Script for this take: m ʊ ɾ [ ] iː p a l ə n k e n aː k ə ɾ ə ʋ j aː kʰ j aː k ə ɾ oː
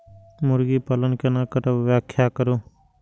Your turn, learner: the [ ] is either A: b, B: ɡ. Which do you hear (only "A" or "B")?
B